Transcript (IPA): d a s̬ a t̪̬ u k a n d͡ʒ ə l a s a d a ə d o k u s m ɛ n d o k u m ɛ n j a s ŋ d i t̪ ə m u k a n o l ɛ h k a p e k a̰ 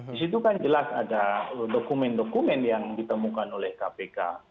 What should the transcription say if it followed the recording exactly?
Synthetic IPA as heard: d i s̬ i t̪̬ u k a n d͡ʒ ə l a s a d a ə d o k u m ɛ n d o k u m ɛ n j a ŋ d i t̪ ə m u k a n o l ɛ h k a p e k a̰